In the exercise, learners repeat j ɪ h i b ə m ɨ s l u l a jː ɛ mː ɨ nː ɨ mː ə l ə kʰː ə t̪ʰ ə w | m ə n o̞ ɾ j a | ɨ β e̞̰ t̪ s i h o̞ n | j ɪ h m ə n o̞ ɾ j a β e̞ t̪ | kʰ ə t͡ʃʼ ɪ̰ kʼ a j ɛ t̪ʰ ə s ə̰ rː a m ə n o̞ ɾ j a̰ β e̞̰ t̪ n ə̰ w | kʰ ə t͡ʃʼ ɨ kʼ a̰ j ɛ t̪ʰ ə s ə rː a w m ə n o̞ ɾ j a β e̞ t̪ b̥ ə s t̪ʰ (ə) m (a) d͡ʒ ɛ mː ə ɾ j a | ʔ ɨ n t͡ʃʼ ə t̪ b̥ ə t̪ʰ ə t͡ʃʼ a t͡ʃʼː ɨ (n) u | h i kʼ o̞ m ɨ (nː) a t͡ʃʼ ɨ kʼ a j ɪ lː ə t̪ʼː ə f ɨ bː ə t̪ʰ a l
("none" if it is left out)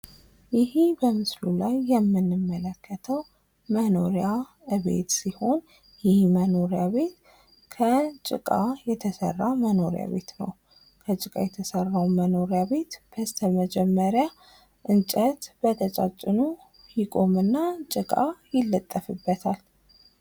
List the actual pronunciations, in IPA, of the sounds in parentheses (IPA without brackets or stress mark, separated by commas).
ə, ə, n, nː